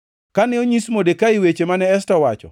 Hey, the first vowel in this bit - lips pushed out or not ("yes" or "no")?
no